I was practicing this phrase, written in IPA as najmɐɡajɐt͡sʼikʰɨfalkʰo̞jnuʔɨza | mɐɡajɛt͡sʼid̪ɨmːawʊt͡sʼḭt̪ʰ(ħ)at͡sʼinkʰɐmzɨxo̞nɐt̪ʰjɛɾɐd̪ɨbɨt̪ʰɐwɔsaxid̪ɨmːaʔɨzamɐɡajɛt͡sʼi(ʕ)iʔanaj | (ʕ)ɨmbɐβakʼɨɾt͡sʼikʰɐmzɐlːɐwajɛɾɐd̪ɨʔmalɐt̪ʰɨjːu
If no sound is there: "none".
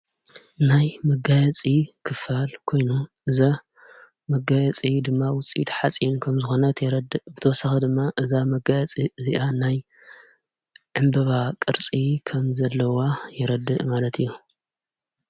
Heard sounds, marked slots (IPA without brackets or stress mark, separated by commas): ħ, z, ʕ